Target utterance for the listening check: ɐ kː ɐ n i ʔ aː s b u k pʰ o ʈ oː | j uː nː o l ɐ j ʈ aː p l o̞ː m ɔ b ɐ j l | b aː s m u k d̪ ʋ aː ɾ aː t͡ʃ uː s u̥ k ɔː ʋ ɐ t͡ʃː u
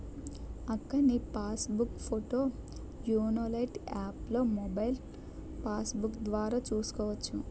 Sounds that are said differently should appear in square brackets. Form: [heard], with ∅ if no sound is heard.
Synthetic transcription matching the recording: ɐ kː ɐ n i [p] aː s b u k pʰ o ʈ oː | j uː [n] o l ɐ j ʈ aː p l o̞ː m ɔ b ɐ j l | [p] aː s [b] u k d̪ ʋ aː ɾ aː t͡ʃ uː s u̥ k ɔː ʋ ɐ t͡ʃː u